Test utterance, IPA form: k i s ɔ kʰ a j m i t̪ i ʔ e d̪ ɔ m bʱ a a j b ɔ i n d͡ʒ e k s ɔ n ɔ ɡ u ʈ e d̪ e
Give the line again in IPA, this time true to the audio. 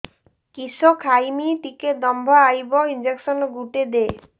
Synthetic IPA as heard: k i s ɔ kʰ a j m i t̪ i k e d̪ ɔ m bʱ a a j b ɔ i n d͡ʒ e k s ɔ n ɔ ɡ u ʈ e d̪ e

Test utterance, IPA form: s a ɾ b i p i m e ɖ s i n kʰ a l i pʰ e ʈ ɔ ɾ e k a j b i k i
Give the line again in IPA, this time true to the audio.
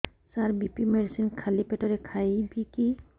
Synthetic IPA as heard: s a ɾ b i p i m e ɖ s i n kʰ a l i p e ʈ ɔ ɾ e kʰ a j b i k i

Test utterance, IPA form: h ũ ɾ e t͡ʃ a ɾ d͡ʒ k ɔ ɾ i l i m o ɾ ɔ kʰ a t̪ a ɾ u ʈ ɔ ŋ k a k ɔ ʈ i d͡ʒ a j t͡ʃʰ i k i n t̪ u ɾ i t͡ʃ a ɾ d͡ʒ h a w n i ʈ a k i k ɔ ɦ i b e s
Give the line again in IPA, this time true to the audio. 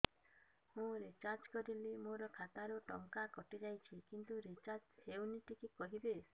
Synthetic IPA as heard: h ũ ɾ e t͡ʃ a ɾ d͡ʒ k ɔ ɾ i l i m o ɾ ɔ kʰ a t̪ a ɾ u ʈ ɔ ŋ k a k ɔ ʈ i d͡ʒ a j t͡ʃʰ i k i n t̪ u ɾ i t͡ʃ a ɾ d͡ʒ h e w n i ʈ i k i k ɔ ɦ i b e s

